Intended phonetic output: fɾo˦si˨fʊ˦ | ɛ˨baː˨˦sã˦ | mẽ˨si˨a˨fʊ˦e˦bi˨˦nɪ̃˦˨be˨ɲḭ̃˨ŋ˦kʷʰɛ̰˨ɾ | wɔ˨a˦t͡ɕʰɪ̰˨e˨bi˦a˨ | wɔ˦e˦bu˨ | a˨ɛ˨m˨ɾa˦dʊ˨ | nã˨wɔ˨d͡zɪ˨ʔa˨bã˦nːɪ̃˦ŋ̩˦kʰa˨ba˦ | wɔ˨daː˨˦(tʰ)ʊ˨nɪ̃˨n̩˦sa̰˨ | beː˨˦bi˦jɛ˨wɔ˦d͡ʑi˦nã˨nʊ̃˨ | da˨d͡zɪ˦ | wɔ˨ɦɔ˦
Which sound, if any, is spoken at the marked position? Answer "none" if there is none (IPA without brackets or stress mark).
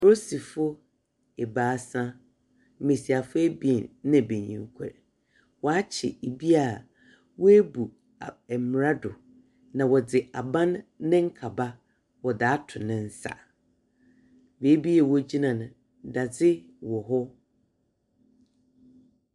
tʰ